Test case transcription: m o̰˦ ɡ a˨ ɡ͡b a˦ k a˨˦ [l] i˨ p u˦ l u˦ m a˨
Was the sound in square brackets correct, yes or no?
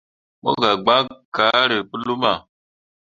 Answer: no